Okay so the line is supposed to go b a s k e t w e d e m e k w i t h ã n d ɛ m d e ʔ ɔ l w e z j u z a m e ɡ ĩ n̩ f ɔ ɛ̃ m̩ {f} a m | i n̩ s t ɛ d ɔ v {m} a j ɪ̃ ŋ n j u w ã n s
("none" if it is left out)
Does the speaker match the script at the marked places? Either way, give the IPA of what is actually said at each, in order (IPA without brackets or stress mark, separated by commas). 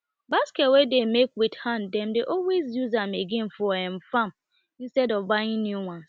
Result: f, b